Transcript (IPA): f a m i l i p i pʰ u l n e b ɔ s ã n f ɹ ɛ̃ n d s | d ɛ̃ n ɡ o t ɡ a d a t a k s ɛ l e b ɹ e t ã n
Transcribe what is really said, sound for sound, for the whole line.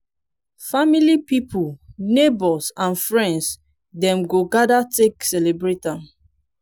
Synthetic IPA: f a m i l i p i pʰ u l n e b ɔ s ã n f ɹ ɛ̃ n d s | d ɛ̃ m ɡ o ɡ a d a t e k s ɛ l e b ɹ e t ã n